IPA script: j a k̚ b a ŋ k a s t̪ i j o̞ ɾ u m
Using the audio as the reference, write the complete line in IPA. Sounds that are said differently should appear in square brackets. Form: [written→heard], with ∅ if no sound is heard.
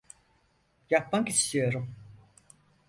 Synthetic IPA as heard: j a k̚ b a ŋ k [a→i] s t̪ i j o̞ ɾ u m